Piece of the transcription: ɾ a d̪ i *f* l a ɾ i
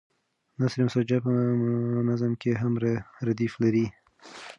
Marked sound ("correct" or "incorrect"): correct